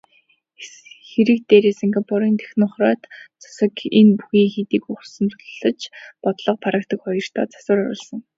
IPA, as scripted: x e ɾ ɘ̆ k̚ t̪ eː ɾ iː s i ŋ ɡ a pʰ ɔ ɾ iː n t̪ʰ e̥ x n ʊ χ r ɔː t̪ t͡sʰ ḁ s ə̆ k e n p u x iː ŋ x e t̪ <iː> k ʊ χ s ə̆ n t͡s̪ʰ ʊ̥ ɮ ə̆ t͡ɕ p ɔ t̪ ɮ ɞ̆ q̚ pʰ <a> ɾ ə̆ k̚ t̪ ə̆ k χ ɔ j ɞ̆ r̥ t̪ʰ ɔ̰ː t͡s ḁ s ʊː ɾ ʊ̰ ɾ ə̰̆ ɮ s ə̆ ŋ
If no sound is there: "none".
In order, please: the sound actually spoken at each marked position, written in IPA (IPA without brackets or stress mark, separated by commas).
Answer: iː, a